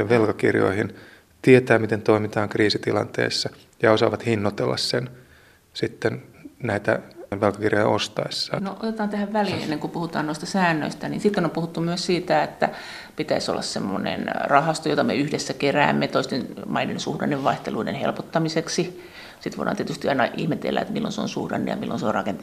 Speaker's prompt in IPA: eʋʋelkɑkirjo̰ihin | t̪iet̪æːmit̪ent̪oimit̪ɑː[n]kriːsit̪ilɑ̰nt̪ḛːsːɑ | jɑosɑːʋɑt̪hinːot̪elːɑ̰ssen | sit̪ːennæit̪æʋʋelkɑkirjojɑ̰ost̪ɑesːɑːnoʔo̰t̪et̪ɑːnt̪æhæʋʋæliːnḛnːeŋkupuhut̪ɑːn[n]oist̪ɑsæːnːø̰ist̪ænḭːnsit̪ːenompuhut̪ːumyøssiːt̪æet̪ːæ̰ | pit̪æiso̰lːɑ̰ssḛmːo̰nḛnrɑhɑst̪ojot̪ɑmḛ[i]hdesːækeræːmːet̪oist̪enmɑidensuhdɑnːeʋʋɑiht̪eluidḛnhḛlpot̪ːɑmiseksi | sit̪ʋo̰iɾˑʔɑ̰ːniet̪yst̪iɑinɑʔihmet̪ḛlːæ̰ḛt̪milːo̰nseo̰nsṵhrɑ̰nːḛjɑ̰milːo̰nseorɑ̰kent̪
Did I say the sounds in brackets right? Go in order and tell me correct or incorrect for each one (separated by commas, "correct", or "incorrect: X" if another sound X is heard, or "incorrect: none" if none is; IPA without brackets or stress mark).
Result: incorrect: ŋ, correct, incorrect: y